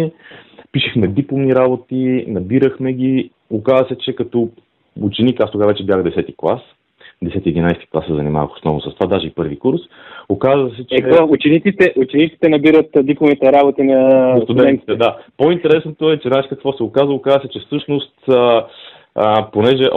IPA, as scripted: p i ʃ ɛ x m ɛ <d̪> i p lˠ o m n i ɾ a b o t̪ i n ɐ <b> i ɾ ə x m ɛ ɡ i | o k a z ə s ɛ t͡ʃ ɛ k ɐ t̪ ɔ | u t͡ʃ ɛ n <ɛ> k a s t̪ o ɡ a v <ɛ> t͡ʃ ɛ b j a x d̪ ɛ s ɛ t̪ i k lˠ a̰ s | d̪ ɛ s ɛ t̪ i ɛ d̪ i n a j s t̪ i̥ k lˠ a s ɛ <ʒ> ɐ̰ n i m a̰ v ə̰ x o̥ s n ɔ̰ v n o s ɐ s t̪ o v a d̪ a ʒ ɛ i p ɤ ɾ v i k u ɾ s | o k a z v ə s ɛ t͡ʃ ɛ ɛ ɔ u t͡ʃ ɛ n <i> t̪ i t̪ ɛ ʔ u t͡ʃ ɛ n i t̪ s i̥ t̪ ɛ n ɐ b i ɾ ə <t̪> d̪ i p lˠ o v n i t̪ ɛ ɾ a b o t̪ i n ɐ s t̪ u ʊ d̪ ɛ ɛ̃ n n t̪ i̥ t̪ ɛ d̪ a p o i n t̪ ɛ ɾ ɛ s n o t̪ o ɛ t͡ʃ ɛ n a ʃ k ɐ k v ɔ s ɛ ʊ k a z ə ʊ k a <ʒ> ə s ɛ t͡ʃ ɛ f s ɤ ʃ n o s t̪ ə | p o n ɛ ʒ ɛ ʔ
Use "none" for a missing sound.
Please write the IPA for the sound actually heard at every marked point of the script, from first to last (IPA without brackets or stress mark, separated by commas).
d̪, b, i, ɛ, z, i, t̪, z